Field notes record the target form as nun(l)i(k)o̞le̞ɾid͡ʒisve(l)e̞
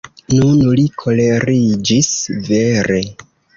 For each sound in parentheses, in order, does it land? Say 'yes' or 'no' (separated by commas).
yes, no, no